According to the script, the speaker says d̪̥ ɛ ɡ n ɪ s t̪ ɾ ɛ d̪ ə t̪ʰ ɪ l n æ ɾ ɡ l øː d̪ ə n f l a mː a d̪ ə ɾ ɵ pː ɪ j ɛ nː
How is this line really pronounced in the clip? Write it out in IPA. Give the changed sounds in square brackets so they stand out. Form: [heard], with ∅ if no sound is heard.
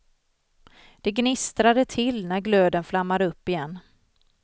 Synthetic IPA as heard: d̪̥ ɛ ɡ n ɪ s t̪ ɾ [a] d̪ ə t̪ʰ ɪ l n æ ɾ ɡ l øː d̪ ə n f l a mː a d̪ ə [∅] ɵ pː ɪ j ɛ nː